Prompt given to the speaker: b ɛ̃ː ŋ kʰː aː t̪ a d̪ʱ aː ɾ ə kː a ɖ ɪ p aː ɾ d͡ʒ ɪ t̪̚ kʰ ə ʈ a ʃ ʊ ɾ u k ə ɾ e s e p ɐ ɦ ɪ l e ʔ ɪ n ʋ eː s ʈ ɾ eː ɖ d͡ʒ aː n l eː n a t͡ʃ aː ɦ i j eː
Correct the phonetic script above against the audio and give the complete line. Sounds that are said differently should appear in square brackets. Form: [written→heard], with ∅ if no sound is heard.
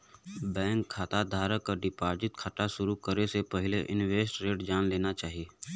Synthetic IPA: b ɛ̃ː ŋ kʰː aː t̪ a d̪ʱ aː ɾ ə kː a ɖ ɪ p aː ɾ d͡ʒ ɪ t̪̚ kʰ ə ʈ a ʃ ʊ ɾ u k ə ɾ e s e p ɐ ɦ ɪ l e ʔ ɪ n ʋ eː s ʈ ɾ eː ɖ d͡ʒ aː n l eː n a t͡ʃ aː ɦ i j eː